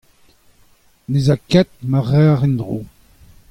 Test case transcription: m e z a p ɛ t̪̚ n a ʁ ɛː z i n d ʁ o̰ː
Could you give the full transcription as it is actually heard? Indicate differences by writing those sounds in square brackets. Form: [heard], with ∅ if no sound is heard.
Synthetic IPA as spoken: [n] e z a [k] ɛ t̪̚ [m] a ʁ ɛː [ʁ] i n d ʁ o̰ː